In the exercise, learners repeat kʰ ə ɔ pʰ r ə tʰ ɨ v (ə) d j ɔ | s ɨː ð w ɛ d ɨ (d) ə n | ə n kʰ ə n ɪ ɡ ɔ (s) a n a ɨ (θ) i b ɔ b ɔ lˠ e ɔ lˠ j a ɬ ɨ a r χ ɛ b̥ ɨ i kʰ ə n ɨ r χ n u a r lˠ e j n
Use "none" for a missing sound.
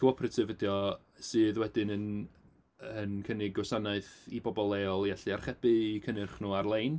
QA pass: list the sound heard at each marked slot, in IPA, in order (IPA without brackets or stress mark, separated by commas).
ə, n, s, θ